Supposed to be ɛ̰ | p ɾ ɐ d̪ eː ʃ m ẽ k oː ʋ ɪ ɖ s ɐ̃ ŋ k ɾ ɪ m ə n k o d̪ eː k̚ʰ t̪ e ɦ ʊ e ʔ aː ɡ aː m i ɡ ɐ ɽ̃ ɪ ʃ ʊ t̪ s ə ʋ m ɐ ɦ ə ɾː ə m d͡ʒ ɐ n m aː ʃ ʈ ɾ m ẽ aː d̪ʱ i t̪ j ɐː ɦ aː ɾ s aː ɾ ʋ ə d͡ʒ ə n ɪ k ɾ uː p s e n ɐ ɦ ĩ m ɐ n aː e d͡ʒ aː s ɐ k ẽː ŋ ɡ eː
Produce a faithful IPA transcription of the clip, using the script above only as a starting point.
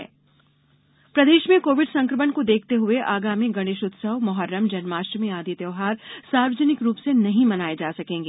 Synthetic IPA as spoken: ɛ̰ | p ɾ ɐ d̪ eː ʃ m ẽ k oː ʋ ɪ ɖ s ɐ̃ ŋ k ɾ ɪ m ə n k o d̪ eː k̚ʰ t̪ e ɦ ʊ e ʔ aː ɡ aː m i ɡ ɐ ɽ̃ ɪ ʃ ʊ t̪ s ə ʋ m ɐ ɦ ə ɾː ə m d͡ʒ ɐ n m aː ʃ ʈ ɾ m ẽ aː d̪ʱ i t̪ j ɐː ɦ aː ɾ s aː ɾ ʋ ə d͡ʒ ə n ɪ k ɾ uː p s e n ɐ ɦ ĩ m ɐ n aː e d͡ʒ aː s ɐ k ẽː ŋ ɡ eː

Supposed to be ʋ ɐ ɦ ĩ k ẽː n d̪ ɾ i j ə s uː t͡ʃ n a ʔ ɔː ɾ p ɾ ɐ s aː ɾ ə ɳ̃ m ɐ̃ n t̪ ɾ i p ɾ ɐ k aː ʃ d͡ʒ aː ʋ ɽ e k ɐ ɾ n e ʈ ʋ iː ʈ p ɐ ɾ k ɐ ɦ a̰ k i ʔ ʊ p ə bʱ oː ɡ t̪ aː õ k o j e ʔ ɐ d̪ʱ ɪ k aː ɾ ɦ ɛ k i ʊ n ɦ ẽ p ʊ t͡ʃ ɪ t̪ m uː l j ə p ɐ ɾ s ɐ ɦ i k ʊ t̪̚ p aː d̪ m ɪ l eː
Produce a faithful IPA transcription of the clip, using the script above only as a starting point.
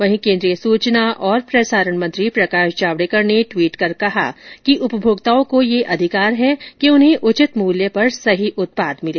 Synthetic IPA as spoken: ʋ ɐ ɦ ĩ k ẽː n d̪ ɾ i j ə s uː t͡ʃ n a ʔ ɔː ɾ p ɾ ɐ s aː ɾ ə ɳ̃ m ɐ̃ n t̪ ɾ i p ɾ ɐ k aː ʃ d͡ʒ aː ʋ ɽ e k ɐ ɾ n e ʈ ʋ iː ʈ k ɐ ɾ k ɐ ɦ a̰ k i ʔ ʊ p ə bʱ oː ɡ t̪ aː õ k o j e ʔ ɐ d̪ʱ ɪ k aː ɾ ɦ ɛ k i ʊ n ɦ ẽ ʔ ʊ t͡ʃ ɪ t̪ m uː l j ə p ɐ ɾ s ɐ ɦ i ʔ ʊ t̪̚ p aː d̪ m ɪ l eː

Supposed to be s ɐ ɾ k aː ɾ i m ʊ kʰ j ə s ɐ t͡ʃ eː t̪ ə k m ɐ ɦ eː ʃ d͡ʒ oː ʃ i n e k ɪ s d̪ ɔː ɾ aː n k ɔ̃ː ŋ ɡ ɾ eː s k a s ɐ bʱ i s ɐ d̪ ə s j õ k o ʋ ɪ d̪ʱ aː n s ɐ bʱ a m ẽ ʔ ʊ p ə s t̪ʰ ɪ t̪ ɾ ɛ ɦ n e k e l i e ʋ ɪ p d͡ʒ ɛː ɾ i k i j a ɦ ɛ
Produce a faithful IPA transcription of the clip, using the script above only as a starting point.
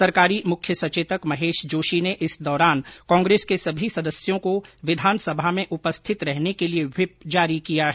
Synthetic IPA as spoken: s ɐ ɾ k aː ɾ i m ʊ kʰ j ə s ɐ t͡ʃ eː t̪ ə k m ɐ ɦ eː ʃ d͡ʒ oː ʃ i n e ʔ ɪ s d̪ ɔː ɾ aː n k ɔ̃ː ŋ ɡ ɾ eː s k e s ɐ bʱ i s ɐ d̪ ə s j õ k o ʋ ɪ d̪ʱ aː n s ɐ bʱ a m ẽ ʔ ʊ p ə s t̪ʰ ɪ t̪ ɾ ɛ ɦ n e k e l i e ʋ ɪ p d͡ʒ aː ɾ i k i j a ɦ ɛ

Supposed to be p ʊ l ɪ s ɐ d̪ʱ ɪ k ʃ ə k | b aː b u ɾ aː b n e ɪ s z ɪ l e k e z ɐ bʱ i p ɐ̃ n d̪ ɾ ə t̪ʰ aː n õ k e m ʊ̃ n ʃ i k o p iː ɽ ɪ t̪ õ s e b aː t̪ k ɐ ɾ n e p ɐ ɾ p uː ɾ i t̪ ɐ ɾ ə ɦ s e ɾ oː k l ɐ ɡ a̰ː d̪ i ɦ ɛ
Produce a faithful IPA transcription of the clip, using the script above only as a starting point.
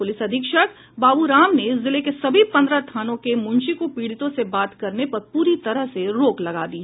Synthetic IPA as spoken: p ʊ l ɪ s ɐ d̪ʱ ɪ k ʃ ə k | b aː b u ɾ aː m n e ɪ s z ɪ l e k e s ɐ bʱ i p ɐ̃ n d̪ ɾ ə t̪ʰ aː n õ k e m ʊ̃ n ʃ i k o p iː ɽ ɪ t̪ õ s e b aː t̪ k ɐ ɾ n e p ɐ ɾ p uː ɾ i t̪ ɐ ɾ ə ɦ s e ɾ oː k l ɐ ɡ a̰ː d̪ i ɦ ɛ

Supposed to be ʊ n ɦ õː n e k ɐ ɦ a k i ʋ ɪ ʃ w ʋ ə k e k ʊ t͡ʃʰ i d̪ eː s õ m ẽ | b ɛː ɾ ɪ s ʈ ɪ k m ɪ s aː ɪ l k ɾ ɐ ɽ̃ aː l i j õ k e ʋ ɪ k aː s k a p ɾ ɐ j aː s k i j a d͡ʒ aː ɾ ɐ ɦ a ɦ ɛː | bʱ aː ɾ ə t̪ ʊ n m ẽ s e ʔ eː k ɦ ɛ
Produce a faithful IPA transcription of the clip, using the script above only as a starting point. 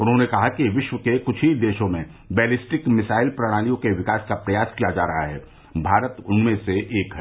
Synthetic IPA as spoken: ʊ n ɦ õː n e k ɐ ɦ a k i ʋ ɪ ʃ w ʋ ə k e k ʊ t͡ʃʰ i d̪ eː ʃ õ m ẽ | b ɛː l ɪ s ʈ ɪ k m ɪ s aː ɪ l p ɾ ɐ ɽ̃ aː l i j õ k e ʋ ɪ k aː s k a p ɾ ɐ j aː s k i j a d͡ʒ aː ɾ ɐ ɦ a ɦ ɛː | bʱ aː ɾ ə t̪ ʊ n m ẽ s e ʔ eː k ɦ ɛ

